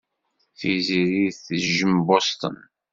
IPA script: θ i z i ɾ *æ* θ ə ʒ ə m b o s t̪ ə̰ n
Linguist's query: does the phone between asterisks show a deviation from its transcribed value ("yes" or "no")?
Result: yes